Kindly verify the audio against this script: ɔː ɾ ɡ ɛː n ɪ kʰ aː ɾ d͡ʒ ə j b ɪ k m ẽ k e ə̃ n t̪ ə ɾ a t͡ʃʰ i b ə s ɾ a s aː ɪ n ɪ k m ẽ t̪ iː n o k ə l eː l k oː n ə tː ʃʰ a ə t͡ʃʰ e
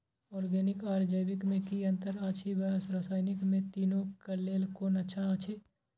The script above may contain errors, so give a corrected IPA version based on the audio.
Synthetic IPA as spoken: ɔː ɾ ɡ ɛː n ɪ k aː ɾ d͡ʒ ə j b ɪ k m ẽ k i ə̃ n t̪ ə ɾ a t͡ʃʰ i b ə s ɾ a s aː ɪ n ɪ k m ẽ t̪ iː n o k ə l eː l k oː n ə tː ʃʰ a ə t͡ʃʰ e